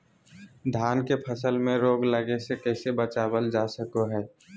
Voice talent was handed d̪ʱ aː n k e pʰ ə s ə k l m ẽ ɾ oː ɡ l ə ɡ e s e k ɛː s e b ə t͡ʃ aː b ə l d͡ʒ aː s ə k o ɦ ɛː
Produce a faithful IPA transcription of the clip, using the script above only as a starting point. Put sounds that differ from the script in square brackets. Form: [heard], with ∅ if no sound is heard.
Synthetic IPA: d̪ʱ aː n k e pʰ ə s ə [∅] l m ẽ ɾ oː ɡ l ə ɡ e s e k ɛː s e b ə t͡ʃ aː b ə l d͡ʒ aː s ə k o ɦ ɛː